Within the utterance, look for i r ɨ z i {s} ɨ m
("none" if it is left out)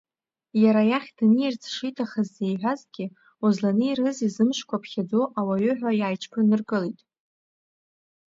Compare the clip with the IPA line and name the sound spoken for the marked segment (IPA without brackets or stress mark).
z